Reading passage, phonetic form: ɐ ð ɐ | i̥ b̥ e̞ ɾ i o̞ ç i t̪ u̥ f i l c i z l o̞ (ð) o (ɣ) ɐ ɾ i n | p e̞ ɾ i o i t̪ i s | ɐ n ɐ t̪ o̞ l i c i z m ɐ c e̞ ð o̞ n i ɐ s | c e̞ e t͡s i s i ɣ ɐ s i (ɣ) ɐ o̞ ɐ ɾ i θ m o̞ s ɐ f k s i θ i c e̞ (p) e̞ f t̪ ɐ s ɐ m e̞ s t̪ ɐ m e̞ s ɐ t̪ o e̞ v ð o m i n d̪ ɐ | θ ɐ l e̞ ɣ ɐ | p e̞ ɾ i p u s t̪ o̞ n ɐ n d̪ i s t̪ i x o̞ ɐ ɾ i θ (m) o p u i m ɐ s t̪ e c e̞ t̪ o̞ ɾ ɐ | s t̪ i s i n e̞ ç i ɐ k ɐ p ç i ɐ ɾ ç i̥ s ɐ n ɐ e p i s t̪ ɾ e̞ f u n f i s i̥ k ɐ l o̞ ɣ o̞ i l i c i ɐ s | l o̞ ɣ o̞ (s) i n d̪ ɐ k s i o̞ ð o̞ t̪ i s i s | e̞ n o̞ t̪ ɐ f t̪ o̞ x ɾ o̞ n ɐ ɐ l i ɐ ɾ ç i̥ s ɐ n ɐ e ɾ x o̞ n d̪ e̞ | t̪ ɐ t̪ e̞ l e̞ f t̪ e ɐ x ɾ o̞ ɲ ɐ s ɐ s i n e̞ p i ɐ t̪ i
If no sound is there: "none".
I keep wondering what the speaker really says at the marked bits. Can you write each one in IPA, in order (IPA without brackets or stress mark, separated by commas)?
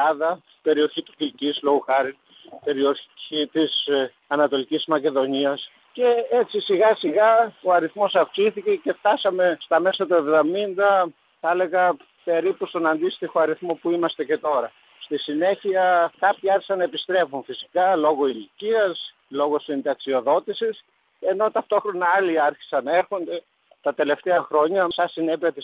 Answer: ɣ, x, ɣ, c, m, s